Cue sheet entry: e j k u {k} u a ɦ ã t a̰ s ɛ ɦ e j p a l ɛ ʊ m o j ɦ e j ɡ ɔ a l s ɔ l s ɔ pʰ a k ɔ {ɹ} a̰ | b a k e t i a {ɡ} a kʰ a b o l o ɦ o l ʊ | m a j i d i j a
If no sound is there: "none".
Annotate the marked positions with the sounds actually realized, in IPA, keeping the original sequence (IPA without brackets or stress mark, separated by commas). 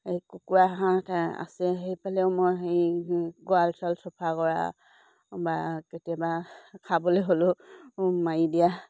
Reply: k, ɹ, b